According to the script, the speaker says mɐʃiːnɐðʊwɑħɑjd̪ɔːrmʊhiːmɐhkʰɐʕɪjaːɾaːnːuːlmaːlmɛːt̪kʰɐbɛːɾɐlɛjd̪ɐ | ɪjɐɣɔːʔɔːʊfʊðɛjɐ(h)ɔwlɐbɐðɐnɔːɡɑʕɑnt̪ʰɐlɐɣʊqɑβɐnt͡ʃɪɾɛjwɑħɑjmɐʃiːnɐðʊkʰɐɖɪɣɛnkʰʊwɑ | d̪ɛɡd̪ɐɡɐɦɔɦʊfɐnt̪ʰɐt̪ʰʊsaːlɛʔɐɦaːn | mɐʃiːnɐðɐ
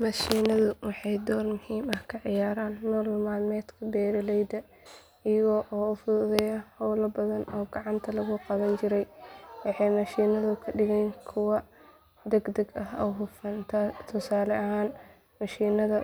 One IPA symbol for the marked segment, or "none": h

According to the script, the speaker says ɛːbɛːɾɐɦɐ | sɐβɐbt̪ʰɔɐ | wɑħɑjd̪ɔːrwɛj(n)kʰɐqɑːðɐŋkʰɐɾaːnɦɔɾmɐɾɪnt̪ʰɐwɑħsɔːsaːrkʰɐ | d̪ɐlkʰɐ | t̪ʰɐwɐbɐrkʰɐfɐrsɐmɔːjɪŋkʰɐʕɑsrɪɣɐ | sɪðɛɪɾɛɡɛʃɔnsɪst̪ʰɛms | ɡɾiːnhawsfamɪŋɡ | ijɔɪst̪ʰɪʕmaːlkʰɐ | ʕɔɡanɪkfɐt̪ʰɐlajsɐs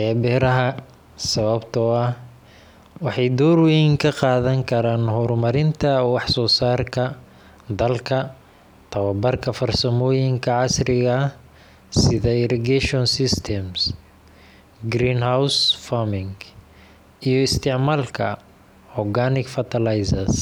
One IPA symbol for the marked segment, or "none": ŋ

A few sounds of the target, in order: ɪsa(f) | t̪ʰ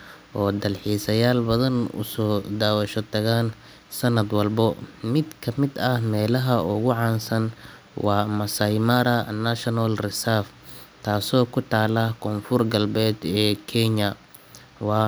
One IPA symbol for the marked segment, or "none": f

